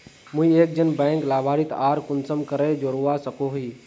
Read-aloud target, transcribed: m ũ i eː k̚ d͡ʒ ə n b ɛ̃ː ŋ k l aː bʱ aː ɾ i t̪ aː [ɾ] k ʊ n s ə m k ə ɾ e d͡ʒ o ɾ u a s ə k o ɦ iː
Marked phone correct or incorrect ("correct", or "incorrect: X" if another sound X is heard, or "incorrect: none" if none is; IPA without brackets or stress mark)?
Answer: correct